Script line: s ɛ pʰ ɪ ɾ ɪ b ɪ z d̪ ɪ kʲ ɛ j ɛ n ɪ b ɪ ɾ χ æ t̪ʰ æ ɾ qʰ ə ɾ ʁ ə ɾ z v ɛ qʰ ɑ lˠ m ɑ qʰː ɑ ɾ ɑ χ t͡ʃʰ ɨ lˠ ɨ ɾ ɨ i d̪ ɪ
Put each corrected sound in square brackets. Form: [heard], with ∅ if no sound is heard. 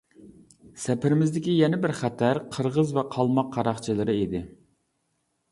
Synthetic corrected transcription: s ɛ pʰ ɪ ɾ ɪ [m] ɪ z d̪ ɪ kʲ [i] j ɛ n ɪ b ɪ ɾ χ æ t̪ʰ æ ɾ qʰ ə ɾ ʁ ə [∅] z v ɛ qʰ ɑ lˠ m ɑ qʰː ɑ ɾ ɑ χ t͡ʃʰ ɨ lˠ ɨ ɾ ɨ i d̪ ɪ